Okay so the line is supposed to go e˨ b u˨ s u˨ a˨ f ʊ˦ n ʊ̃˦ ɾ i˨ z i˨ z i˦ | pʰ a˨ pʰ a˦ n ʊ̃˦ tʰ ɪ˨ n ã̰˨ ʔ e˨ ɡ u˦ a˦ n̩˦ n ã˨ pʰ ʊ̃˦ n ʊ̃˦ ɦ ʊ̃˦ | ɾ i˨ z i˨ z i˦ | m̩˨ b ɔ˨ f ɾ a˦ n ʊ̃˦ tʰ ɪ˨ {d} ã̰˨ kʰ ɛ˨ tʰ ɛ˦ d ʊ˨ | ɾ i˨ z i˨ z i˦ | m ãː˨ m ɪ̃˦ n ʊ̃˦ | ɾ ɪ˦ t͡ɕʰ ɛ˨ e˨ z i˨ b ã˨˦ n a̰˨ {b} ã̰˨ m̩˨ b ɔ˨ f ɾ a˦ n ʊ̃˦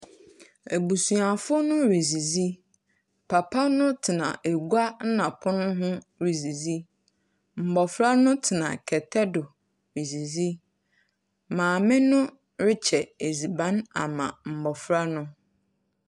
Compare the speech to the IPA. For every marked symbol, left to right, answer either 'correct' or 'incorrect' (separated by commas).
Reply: incorrect, incorrect